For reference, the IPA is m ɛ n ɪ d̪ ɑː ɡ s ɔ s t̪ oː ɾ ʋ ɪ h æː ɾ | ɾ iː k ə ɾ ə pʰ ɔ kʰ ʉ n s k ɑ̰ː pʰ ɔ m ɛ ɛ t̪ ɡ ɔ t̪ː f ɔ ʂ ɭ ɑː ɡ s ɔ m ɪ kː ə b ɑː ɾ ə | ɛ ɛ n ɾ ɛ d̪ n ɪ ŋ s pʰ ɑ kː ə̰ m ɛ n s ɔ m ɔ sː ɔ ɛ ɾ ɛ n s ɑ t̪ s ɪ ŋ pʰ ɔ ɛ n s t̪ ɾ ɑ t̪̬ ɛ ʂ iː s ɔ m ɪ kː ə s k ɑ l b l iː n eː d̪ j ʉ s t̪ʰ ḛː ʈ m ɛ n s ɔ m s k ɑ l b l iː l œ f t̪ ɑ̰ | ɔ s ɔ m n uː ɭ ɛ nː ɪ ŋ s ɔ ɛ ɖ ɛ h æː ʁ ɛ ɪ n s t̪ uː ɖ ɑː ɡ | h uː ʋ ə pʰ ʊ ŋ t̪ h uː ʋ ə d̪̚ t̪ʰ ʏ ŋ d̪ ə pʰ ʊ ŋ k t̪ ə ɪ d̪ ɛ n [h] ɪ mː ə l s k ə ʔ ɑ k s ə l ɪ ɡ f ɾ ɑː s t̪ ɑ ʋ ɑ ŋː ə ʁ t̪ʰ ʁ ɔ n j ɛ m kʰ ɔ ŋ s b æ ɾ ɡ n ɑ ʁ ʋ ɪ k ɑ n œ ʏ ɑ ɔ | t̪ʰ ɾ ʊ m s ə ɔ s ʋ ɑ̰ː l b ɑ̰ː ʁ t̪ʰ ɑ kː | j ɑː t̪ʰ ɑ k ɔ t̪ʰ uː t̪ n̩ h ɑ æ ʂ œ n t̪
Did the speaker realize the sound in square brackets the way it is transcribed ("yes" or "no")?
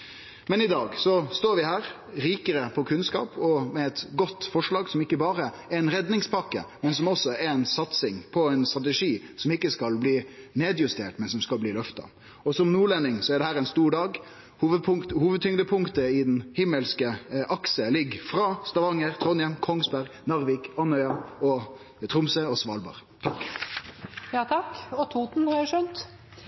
yes